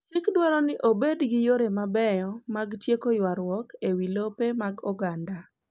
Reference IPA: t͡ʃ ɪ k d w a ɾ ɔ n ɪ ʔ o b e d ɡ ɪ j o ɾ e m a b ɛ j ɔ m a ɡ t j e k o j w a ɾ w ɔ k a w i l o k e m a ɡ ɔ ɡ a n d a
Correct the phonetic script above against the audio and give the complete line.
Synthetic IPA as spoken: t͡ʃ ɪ k d w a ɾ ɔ n ɪ ʔ o b e d ɡ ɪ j o ɾ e m a b ɛ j ɔ m a ɡ t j e k o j w a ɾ w ɔ k e w i l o p e m a ɡ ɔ ɡ a n d a